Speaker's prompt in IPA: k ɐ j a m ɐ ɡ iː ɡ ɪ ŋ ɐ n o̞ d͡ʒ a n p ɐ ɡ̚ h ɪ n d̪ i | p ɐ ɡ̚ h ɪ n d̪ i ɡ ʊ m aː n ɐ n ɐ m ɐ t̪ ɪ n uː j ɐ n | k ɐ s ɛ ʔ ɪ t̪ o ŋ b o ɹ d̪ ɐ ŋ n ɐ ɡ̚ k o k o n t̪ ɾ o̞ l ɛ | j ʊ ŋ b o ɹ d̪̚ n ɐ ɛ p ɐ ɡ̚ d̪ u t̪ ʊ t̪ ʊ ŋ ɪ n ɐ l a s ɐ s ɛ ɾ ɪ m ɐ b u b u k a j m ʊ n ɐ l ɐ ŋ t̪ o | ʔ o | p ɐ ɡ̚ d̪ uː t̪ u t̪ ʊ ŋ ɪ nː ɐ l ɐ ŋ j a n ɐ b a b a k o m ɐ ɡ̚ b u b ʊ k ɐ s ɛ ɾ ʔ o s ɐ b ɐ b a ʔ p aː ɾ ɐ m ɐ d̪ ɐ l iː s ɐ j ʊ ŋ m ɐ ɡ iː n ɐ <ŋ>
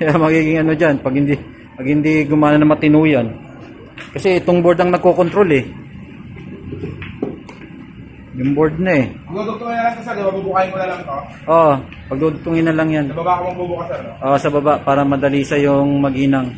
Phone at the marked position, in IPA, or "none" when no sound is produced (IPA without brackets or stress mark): ŋ